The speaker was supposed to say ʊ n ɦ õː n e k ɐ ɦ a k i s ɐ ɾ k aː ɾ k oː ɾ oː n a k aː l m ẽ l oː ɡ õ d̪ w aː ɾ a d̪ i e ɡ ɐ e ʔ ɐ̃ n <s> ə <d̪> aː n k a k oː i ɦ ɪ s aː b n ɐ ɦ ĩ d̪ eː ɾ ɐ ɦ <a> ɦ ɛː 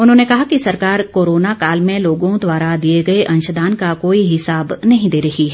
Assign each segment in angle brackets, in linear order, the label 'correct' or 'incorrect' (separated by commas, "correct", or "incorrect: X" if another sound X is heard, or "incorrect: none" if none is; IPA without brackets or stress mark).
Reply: incorrect: ʃ, correct, incorrect: i